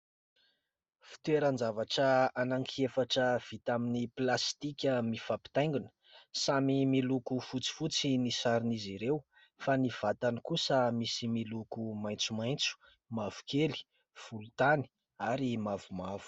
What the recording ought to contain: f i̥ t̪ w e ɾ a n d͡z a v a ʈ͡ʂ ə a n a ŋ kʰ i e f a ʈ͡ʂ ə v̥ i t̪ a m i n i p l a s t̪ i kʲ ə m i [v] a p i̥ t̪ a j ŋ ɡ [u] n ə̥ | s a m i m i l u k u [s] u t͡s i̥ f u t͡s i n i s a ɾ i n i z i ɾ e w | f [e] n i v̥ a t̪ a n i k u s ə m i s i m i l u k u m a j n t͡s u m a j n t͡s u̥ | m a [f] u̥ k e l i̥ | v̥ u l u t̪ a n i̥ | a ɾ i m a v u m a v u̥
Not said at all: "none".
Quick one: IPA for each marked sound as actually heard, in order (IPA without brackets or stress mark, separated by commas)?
f, u, f, a, v